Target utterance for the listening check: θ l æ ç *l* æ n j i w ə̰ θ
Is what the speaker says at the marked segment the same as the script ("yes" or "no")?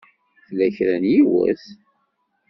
no